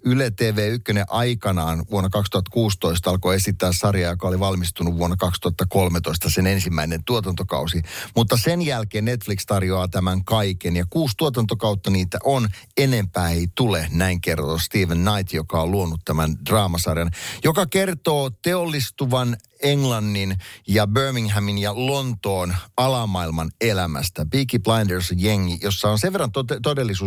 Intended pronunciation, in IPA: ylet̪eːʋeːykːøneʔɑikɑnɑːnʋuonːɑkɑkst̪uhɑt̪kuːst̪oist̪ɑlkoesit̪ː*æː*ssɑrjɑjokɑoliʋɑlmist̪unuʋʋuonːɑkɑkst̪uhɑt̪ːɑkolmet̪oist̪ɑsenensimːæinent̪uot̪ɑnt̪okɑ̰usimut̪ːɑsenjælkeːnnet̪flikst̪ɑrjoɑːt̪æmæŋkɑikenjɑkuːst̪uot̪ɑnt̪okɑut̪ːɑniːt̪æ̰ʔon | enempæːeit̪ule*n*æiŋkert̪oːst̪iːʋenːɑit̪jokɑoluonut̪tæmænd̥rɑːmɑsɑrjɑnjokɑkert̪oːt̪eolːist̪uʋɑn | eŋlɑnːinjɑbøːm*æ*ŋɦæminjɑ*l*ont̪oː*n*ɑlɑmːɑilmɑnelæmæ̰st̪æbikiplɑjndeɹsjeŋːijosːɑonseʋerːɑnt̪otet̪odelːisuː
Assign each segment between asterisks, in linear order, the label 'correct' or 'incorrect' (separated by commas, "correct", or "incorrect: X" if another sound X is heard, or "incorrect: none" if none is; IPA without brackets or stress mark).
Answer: correct, correct, incorrect: i, correct, correct